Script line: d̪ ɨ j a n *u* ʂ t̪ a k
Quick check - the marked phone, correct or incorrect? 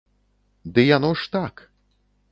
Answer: incorrect